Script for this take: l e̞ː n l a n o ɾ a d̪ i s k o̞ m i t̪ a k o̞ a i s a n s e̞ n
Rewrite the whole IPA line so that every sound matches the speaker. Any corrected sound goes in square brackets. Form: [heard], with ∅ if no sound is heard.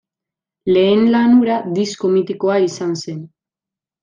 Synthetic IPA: l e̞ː n l a n [u] ɾ a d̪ i s k o̞ m i t̪ [i] k o̞ a i s a n s e̞ n

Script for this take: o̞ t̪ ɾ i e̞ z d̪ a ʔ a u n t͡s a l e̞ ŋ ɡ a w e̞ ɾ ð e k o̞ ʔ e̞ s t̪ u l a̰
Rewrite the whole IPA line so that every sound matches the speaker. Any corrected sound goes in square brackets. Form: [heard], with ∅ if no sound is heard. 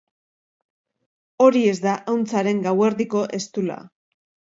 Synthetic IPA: o̞ [∅] ɾ i e̞ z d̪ a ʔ a [w] n t͡s a [ɾ] e̞ ŋ ɡ a w e̞ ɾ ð [i] k o̞ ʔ e̞ s t̪ u l a̰

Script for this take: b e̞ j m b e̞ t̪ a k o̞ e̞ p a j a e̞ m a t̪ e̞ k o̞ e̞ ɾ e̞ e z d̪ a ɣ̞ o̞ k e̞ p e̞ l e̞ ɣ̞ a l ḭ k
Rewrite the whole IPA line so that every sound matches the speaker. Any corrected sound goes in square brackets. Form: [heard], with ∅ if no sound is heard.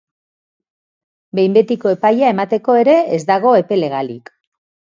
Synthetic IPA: b e̞ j m b e̞ t̪ [i] k o̞ e̞ p a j a e̞ m a t̪ e̞ k o̞ e̞ ɾ e̞ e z d̪ a ɣ̞ o̞ [∅] e̞ p e̞ l e̞ ɣ̞ a l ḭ k

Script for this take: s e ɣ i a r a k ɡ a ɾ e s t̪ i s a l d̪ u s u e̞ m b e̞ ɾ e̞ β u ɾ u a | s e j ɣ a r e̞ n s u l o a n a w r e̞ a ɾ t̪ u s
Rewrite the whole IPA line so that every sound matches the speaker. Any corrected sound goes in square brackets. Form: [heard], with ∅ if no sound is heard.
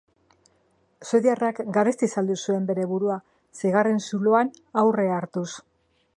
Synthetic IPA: s e [ð] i a r a k ɡ a ɾ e s t̪ i s a l d̪ u s u e̞ m b e̞ ɾ e̞ β u ɾ u a | s e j ɣ a r e̞ n s u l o a n a w r e̞ a ɾ t̪ u s

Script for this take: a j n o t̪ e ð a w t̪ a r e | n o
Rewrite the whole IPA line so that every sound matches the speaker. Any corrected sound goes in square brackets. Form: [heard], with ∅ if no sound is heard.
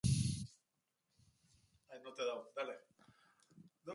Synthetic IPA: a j n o t̪ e ð a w [d̪] a [l] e | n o

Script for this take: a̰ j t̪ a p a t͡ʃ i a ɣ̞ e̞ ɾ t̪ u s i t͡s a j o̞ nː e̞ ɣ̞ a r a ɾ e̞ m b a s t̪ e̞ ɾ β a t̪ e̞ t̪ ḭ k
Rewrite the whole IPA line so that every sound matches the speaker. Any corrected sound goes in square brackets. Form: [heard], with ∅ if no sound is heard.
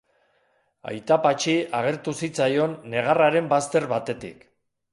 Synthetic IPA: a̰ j t̪ a p a t͡ʃ i a ɣ̞ e̞ ɾ t̪ u s i t͡s a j o̞ nː e̞ ɣ̞ a r a ɾ e̞ m b a s t̪ e̞ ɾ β a t̪ e̞ t̪ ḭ k

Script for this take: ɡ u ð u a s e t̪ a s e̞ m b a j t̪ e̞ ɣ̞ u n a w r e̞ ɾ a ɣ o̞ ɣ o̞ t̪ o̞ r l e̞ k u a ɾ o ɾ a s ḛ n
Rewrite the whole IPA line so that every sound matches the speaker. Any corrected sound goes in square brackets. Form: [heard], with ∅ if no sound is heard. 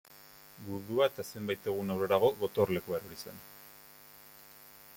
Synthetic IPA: ɡ u ð u a [∅] e t̪ a s e̞ m b a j t̪ e̞ ɣ̞ u n a w r e̞ ɾ a ɣ o̞ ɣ o̞ t̪ o̞ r l e̞ k u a ɾ o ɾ [i] s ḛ n

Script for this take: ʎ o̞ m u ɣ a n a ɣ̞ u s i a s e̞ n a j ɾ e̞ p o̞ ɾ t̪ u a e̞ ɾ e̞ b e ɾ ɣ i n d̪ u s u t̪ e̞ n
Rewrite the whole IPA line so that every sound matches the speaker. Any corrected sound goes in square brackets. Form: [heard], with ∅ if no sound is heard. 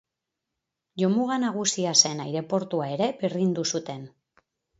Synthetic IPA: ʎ o̞ m u ɣ a n a ɣ̞ u s i a s e̞ n a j ɾ e̞ p o̞ ɾ t̪ u a e̞ ɾ e̞ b e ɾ [ð] i n d̪ u s u t̪ e̞ n

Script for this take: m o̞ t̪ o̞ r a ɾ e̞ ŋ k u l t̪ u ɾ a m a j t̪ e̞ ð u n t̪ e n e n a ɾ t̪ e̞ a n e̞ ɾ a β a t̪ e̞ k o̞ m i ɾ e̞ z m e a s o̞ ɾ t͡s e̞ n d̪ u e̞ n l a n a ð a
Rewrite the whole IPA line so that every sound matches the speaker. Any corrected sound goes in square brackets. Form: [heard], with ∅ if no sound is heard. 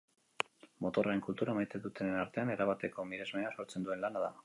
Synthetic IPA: m o̞ t̪ o̞ r a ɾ e̞ ŋ k u l t̪ u ɾ a m a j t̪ e̞ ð u [∅] t̪ e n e n a ɾ t̪ e̞ a n e̞ ɾ a β a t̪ e̞ k o̞ m i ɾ e̞ z m e a s o̞ ɾ t͡s e̞ n d̪ u e̞ n l a n a ð a

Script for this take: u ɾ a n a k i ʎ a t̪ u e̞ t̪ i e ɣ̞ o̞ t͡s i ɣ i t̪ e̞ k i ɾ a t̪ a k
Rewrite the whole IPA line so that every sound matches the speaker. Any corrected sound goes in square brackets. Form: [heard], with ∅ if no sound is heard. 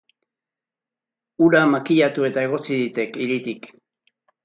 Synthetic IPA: u ɾ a [m] a k i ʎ a t̪ u e̞ t̪ [a] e ɣ̞ o̞ t͡s i [ð] i t̪ e̞ k i ɾ [i] t̪ [i] k

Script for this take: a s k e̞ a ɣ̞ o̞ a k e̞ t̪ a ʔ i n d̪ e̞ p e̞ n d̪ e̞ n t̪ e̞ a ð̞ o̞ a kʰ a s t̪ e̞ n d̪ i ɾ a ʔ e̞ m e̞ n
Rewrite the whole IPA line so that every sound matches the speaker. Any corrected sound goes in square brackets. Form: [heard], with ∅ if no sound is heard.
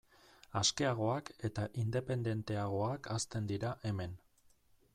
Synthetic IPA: a s k e̞ a ɣ̞ o̞ a k e̞ t̪ a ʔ i n d̪ e̞ p e̞ n d̪ e̞ n t̪ e̞ a [ɣ̞] o̞ a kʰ a s t̪ e̞ n d̪ i ɾ a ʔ e̞ m e̞ n

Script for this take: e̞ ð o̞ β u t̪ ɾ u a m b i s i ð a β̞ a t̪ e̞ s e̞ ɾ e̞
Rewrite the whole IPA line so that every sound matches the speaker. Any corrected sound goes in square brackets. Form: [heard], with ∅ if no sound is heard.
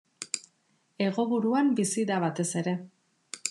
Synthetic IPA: e̞ [ɣ] o̞ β u [∅] ɾ u a m b i s i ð a β̞ a t̪ e̞ s e̞ ɾ e̞

